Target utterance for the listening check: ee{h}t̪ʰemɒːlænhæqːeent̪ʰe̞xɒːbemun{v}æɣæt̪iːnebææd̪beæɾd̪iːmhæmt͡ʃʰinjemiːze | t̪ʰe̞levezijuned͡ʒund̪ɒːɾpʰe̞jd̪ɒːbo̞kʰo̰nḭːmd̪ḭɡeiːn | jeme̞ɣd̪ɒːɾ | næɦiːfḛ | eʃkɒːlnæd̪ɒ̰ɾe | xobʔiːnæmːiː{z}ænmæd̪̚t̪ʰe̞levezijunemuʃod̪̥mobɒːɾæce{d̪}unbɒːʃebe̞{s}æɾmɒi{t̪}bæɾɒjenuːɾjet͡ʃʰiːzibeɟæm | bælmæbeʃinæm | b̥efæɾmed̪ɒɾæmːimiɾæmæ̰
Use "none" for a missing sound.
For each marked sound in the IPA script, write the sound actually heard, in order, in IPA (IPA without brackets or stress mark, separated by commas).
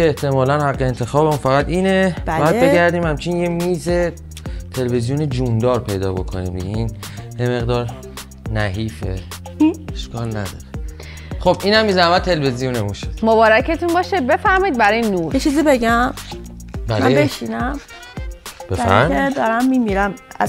h, f, z, t̪, f, d̪